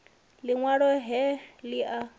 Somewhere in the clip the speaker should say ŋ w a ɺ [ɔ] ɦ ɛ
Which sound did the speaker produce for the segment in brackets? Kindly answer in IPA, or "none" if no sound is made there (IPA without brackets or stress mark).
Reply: ɔ